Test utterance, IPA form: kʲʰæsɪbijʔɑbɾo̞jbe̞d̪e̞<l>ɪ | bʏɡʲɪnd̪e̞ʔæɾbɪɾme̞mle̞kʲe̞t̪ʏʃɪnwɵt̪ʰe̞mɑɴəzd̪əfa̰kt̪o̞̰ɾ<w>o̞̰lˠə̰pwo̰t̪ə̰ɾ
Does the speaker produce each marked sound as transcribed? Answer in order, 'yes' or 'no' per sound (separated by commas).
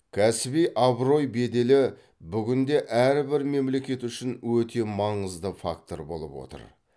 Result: yes, no